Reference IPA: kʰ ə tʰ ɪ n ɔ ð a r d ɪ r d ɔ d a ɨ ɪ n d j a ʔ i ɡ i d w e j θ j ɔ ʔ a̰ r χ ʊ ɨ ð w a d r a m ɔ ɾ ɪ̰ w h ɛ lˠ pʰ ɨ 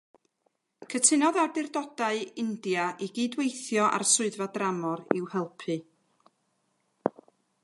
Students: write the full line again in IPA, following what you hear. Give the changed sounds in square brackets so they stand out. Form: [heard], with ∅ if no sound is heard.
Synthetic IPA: kʰ ə tʰ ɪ n ɔ ð a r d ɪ r d ɔ d a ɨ ɪ n d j a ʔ i ɡ [iː] d w e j θ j ɔ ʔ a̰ r [s] ʊ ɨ ð [v] a d r a m ɔ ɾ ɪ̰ w h ɛ lˠ pʰ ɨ

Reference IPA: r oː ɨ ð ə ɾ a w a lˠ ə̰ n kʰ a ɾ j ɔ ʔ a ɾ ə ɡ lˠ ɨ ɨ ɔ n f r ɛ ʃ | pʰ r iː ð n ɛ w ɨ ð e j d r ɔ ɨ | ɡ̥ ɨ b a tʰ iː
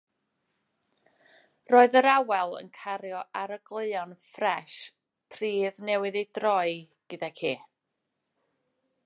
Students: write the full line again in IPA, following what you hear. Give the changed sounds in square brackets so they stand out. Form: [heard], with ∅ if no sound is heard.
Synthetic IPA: r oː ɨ ð ə ɾ a w [ɛ] lˠ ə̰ n kʰ a ɾ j ɔ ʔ a ɾ ə ɡ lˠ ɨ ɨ ɔ n f r ɛ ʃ | pʰ r iː ð n ɛ w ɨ ð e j d r ɔ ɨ | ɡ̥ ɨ [d] a [kʰ] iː

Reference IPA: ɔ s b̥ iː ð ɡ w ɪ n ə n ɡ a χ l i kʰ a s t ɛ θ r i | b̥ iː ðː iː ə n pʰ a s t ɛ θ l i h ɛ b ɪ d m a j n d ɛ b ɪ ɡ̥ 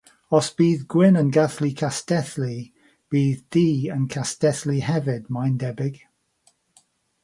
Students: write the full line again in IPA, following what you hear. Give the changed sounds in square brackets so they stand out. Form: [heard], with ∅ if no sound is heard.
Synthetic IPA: ɔ s b̥ iː ð ɡ w ɪ n ə n ɡ a [θ] l i kʰ a s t ɛ θ [l] i | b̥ iː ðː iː ə n [kʰ] a s t ɛ θ l i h ɛ [v] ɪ d m a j n d ɛ b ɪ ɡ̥

